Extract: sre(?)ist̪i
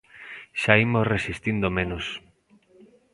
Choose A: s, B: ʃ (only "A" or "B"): A